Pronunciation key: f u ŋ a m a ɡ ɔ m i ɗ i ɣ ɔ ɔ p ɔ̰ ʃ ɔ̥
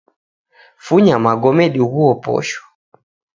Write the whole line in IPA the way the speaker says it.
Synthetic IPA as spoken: f u ɲ a m a ɡ ɔ m ɛ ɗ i ɣ u ɔ p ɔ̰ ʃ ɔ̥